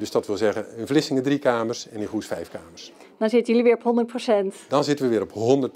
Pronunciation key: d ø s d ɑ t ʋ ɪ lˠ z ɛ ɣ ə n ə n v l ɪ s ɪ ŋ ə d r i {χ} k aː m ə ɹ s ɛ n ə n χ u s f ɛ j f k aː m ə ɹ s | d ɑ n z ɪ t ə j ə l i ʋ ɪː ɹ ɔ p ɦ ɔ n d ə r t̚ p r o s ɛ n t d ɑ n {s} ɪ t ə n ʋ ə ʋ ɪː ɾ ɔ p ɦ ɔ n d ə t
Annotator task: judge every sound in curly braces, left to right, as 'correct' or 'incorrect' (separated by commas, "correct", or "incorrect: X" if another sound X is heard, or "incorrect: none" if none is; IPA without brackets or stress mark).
incorrect: none, incorrect: z